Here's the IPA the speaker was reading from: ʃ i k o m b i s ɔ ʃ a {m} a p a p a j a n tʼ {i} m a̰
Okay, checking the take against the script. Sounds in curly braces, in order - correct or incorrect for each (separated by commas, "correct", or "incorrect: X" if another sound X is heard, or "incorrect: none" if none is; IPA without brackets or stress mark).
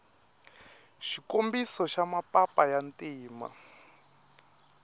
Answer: correct, incorrect: iː